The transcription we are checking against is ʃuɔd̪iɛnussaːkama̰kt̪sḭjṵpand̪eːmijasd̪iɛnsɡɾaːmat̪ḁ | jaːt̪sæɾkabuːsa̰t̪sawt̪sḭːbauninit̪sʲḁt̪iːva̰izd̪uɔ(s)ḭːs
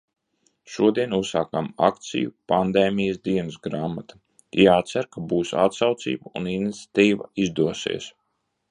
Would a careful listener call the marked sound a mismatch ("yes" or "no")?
no